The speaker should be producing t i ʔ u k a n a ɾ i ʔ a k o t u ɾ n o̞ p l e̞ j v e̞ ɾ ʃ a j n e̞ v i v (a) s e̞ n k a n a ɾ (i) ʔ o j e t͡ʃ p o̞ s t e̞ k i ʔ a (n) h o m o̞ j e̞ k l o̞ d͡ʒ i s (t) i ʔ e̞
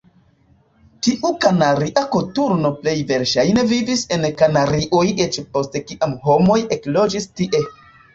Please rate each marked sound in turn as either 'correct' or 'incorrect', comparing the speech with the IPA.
incorrect: i, correct, incorrect: m, correct

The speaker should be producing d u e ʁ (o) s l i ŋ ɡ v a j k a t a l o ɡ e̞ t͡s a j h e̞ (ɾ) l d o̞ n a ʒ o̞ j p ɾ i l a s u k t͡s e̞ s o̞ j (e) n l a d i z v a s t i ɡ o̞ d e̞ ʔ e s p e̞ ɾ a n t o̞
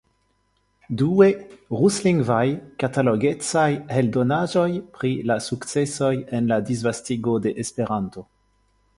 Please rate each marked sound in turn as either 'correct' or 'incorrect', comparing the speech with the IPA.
incorrect: u, incorrect: none, correct

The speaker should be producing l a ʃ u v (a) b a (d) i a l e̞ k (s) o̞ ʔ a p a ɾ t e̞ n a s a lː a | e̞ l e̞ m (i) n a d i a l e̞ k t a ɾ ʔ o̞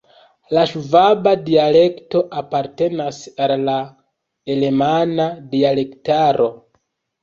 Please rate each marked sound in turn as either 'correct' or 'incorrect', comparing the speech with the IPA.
correct, correct, incorrect: t, incorrect: a

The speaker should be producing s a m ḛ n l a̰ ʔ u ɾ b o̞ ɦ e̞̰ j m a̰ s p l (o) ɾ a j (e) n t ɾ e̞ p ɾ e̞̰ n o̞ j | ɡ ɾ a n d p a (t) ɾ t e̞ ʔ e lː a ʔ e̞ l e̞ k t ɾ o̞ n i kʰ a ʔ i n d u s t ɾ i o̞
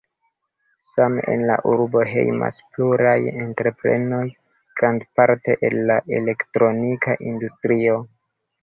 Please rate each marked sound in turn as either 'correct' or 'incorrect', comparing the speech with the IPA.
incorrect: u, correct, incorrect: none

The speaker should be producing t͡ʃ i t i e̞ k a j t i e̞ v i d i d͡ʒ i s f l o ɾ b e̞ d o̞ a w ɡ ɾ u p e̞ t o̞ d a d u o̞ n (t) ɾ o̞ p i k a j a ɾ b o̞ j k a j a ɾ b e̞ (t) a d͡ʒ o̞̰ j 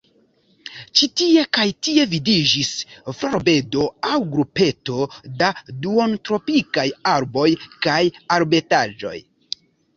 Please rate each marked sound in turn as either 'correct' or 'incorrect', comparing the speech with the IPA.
correct, correct

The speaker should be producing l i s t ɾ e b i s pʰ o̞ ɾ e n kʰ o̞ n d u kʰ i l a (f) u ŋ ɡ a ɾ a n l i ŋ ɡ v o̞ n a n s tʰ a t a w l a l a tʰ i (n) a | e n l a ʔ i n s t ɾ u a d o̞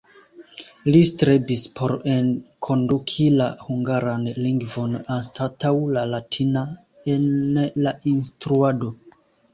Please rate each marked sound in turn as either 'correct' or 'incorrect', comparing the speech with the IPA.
incorrect: h, correct

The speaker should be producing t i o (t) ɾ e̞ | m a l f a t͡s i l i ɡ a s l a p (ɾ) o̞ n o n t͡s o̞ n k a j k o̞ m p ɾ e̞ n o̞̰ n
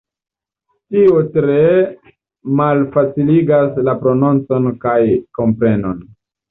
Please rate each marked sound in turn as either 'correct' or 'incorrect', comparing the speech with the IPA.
correct, correct

